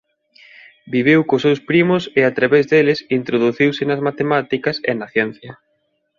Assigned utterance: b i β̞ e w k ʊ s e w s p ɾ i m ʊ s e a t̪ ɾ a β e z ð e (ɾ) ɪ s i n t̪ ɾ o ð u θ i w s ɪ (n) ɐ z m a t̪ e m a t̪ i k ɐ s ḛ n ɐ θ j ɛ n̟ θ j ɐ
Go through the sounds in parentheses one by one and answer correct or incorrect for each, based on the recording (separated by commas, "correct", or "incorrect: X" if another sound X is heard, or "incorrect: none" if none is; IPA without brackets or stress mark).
incorrect: l, correct